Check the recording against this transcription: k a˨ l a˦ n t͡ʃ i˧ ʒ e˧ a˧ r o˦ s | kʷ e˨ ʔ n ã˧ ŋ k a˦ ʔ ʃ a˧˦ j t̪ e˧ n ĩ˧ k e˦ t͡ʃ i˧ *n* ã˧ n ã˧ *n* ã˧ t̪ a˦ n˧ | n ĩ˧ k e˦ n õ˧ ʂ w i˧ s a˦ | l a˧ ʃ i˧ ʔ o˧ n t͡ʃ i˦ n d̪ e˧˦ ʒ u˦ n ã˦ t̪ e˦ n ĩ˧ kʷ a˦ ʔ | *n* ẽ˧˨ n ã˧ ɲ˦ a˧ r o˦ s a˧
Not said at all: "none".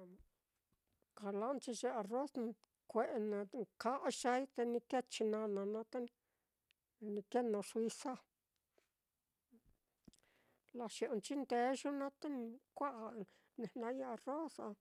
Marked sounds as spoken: n, n, n

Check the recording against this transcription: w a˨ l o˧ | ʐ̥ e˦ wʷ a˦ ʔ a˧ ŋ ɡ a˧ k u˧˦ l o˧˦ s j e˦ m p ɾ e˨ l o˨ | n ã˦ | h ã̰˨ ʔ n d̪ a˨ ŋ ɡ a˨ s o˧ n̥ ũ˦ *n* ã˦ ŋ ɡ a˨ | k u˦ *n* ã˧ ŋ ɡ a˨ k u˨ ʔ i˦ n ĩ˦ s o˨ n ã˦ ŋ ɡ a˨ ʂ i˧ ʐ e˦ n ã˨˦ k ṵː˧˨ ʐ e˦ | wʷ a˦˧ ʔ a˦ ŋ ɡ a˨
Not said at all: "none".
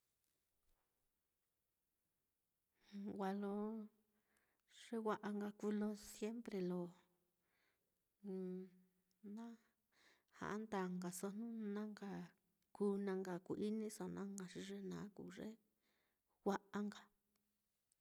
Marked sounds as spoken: n, n

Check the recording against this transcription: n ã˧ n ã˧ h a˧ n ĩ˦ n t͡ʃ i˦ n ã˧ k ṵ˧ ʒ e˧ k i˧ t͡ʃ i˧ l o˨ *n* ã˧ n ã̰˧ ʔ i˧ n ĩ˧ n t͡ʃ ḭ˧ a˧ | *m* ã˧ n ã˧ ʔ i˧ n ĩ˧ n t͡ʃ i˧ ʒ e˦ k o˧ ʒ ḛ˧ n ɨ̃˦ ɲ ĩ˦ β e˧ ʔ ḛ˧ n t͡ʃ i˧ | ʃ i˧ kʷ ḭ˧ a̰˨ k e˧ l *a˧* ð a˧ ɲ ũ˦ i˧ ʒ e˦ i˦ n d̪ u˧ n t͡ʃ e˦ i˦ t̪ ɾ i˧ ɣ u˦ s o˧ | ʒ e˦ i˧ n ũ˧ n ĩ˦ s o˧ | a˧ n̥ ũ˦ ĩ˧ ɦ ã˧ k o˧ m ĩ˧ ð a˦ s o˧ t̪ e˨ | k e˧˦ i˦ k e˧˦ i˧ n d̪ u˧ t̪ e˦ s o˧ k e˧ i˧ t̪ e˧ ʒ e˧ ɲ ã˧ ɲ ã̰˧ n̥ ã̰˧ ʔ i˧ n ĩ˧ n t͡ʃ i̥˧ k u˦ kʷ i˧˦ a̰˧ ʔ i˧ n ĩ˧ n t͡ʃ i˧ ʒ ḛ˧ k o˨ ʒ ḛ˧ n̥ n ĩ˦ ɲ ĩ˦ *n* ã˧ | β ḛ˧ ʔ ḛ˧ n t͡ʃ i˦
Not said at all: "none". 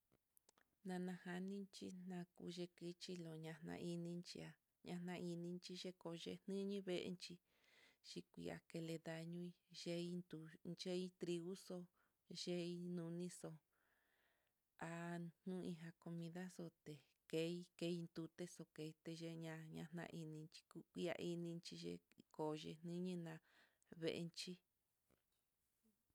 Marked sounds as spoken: ɲ, ɲ, e˧, n

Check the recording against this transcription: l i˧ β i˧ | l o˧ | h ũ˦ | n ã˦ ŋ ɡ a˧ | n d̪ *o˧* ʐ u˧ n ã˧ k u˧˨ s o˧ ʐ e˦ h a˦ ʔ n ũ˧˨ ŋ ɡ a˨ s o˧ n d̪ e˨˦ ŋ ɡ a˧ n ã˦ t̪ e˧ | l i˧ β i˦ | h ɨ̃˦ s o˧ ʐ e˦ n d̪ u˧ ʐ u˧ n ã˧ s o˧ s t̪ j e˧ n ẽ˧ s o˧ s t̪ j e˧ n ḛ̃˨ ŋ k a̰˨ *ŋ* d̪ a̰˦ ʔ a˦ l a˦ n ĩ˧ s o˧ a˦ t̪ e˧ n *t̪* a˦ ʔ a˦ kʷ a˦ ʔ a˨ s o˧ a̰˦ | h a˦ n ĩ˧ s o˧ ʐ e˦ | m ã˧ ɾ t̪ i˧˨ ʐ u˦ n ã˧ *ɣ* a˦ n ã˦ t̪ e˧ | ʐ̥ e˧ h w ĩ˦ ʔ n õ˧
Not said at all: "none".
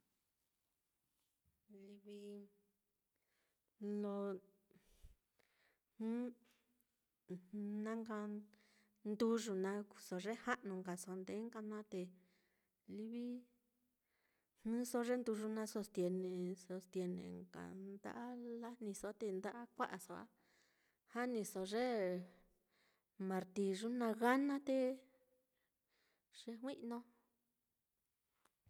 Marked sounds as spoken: u˧, n, d̪, ɣ

